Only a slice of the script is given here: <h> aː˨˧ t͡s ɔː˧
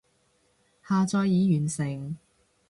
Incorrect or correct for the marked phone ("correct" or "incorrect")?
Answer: correct